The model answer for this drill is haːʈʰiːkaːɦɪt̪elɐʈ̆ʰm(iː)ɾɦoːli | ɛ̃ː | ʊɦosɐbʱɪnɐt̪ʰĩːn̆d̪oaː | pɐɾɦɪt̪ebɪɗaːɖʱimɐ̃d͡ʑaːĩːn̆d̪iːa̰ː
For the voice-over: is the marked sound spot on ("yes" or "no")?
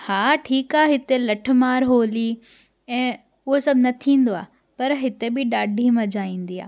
no